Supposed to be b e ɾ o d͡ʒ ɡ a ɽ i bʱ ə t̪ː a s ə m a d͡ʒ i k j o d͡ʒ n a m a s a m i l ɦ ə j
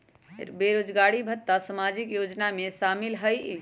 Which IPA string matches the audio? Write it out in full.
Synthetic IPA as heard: b e ɾ o d͡ʒ ɡ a ɽ i bʱ ə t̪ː a s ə m a d͡ʒ i k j o d͡ʒ n a m e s a m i l ɦ ə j